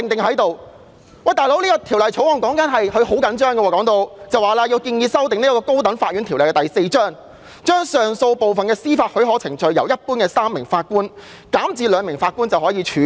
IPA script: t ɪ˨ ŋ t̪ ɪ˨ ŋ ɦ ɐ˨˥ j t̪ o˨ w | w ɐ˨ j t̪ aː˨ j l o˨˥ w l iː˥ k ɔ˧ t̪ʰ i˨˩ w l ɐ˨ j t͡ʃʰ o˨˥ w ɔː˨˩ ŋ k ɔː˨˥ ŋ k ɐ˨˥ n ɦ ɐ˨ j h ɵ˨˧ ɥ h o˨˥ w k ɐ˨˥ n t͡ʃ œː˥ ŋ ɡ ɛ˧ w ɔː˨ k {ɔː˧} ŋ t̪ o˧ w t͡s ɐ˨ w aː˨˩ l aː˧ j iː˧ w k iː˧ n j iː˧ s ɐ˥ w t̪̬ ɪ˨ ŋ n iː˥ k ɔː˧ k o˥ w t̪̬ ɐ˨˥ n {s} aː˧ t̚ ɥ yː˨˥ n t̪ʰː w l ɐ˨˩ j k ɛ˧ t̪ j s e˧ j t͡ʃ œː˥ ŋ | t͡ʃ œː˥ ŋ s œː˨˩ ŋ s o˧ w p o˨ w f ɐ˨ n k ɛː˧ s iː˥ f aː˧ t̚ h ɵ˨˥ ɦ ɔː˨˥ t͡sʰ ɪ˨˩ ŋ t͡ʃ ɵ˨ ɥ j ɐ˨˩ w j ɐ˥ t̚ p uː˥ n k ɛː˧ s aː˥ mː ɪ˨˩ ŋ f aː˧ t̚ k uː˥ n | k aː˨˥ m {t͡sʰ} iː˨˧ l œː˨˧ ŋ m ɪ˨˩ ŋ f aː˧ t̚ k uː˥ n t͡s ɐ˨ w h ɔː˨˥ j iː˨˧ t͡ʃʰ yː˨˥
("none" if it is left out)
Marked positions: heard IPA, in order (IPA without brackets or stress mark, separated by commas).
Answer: ɔː˨˥, f, t͡s